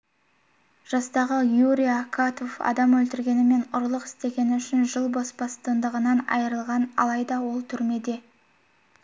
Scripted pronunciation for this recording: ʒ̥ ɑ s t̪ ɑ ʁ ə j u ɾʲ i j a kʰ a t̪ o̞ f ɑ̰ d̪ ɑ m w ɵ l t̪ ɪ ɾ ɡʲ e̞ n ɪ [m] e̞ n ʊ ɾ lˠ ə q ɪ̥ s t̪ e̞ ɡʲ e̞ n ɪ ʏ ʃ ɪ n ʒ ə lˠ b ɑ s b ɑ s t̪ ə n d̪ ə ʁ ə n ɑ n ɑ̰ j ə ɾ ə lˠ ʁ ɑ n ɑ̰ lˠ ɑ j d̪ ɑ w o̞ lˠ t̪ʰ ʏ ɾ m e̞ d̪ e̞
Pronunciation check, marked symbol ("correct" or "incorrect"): correct